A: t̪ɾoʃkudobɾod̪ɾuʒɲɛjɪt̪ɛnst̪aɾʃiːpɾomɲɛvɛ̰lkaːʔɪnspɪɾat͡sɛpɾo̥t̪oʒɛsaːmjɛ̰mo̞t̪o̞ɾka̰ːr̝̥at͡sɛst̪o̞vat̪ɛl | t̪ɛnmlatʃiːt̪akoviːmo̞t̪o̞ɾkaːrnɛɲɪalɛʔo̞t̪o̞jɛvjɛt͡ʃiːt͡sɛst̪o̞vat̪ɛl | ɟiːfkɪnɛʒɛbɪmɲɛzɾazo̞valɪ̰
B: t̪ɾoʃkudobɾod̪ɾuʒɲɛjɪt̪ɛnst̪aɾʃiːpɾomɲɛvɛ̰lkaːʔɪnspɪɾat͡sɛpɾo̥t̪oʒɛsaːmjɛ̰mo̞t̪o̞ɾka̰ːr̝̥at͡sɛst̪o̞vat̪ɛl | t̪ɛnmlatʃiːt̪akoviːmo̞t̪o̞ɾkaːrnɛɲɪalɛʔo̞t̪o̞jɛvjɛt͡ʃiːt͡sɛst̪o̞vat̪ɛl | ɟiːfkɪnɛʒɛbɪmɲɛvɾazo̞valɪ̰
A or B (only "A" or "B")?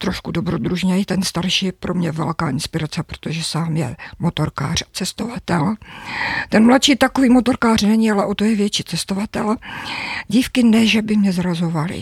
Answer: A